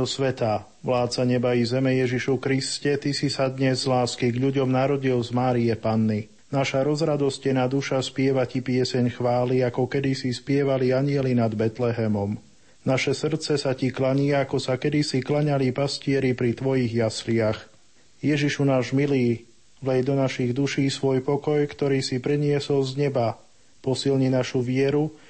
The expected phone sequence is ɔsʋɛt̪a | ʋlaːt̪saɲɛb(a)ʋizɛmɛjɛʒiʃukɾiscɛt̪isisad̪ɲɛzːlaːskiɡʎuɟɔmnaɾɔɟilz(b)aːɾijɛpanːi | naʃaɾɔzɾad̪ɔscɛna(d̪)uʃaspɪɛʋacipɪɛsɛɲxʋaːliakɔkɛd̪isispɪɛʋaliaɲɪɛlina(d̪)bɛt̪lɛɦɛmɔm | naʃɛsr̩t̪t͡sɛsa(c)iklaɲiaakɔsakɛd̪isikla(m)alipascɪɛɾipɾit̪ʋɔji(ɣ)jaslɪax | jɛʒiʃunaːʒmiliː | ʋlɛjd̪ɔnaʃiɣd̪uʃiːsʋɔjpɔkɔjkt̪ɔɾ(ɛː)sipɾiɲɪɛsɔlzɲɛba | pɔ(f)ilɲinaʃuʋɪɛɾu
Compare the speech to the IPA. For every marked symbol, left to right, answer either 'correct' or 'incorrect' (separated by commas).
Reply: correct, incorrect, correct, correct, correct, incorrect, correct, incorrect, incorrect